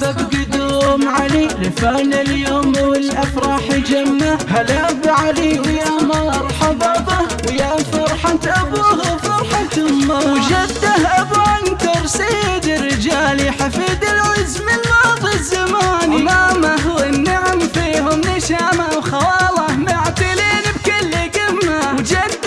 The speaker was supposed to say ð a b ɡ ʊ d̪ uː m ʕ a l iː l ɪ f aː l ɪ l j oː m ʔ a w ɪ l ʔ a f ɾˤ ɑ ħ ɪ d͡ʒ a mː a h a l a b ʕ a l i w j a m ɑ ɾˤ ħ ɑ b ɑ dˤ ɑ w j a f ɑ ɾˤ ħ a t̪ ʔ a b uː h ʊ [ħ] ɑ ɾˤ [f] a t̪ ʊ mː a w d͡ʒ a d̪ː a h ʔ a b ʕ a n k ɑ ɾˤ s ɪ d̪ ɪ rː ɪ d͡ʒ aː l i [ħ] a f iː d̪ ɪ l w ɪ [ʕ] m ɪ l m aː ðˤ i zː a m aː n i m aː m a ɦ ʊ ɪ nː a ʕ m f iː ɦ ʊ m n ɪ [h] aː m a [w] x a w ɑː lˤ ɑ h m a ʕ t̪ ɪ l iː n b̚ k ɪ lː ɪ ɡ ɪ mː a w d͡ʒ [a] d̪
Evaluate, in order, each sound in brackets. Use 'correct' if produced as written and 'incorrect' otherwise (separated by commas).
incorrect, incorrect, correct, incorrect, incorrect, correct, correct